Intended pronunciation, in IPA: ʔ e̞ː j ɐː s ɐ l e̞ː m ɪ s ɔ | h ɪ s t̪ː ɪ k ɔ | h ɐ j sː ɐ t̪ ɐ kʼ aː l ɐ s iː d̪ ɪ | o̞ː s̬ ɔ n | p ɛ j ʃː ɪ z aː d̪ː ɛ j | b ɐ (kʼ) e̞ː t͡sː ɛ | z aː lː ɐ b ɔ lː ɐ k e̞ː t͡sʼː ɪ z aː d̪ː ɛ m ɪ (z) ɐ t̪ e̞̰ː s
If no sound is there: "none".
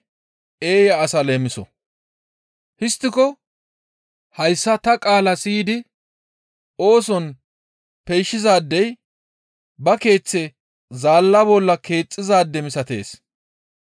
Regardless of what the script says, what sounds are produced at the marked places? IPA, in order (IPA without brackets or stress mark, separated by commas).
k, s